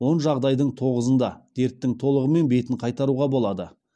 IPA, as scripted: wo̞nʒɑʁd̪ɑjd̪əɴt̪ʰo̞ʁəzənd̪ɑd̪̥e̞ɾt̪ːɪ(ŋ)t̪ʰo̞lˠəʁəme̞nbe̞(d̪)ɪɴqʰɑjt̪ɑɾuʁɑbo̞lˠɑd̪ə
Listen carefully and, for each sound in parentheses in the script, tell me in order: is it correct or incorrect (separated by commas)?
correct, incorrect